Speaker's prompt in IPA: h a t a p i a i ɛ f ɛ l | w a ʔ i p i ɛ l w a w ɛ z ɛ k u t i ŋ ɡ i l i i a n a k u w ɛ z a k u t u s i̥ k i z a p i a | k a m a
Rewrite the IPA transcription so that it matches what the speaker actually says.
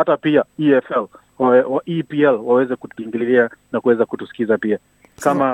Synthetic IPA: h a t a p i a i ɛ f ɛ l | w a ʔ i p i ɛ l w a w ɛ z ɛ k u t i ŋ ɡ i l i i a n a k u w ɛ z a k u t u s i̥ k i z a p i a | k a m a